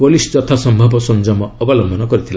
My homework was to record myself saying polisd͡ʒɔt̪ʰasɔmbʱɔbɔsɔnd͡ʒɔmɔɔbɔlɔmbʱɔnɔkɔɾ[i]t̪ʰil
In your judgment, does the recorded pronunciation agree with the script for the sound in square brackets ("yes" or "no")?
yes